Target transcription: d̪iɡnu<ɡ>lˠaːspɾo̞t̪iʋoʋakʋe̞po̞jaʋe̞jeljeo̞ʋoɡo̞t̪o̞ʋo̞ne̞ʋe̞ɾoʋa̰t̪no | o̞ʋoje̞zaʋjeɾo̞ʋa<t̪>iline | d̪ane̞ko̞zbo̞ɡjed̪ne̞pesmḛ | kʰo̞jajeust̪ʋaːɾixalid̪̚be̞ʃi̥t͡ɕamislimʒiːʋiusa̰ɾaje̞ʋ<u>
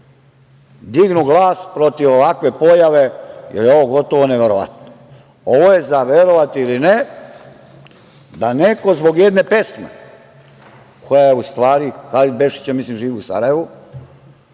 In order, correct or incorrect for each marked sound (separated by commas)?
correct, correct, correct